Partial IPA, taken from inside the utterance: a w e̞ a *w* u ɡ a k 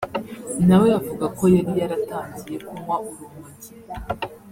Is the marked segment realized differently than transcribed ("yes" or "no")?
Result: yes